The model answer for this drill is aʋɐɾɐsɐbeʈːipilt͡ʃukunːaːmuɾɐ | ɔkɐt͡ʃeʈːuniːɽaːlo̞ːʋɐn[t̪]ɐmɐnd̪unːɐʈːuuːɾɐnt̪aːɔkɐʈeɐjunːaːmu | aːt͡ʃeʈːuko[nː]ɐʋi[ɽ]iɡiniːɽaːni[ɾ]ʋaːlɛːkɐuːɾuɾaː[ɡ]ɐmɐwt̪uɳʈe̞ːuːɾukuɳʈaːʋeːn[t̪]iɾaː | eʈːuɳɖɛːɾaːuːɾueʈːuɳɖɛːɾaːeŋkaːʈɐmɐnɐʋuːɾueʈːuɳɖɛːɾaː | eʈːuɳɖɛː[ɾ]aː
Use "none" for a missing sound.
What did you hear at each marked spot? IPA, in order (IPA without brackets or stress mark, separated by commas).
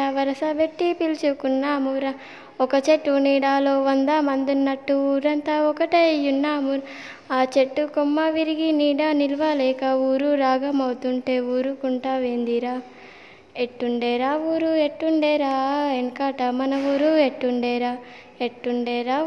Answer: d̪, mː, ɾ, l, ɡ, d̪, ɾ